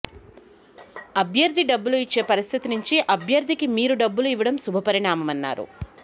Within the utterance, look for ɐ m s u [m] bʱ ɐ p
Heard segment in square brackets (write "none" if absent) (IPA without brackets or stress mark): none